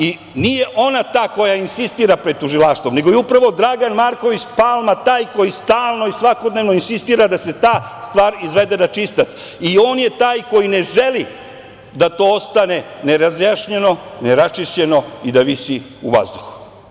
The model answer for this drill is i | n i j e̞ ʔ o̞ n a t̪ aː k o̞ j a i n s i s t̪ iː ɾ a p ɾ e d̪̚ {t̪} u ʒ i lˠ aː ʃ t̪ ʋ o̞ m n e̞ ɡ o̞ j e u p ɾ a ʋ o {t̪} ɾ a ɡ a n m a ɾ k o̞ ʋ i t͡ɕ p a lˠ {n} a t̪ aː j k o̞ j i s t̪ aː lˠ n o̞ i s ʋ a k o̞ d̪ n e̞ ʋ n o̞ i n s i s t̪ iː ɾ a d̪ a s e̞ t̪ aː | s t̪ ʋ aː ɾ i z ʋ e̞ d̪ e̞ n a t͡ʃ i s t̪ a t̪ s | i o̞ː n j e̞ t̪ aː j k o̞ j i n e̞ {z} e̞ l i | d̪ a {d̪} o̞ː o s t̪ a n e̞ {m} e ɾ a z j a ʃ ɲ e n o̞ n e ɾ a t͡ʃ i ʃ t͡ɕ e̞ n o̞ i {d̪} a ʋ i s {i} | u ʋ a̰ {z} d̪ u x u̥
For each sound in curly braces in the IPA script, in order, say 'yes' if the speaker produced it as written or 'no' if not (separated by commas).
yes, no, no, no, no, no, yes, yes, yes